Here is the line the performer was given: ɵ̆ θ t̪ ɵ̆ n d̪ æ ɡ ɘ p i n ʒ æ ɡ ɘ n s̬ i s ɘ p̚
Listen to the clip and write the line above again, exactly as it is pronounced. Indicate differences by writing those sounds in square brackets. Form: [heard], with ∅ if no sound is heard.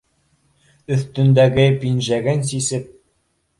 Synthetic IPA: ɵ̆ θ t̪ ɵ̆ n d̪ æ ɡ ɘ p i n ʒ æ ɡ ɘ n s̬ i s ɘ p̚